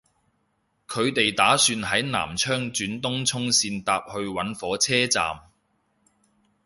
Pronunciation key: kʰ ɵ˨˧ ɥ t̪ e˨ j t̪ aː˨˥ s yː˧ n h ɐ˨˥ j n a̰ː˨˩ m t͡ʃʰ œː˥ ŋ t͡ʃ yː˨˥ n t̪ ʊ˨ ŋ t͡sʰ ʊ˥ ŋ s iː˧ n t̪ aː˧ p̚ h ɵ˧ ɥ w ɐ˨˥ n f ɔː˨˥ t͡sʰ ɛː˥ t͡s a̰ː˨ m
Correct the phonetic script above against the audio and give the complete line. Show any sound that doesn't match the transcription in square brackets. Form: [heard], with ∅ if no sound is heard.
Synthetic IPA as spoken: kʰ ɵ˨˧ ɥ t̪ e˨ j t̪ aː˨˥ s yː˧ n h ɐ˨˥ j n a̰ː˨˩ m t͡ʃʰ œː˥ ŋ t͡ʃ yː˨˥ n t̪ [ʊ˥] ŋ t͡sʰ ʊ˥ ŋ s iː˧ n t̪ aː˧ p̚ h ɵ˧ ɥ w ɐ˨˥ n f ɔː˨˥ t͡sʰ ɛː˥ t͡s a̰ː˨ m